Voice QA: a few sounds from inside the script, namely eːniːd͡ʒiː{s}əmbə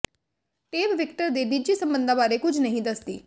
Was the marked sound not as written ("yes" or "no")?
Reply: no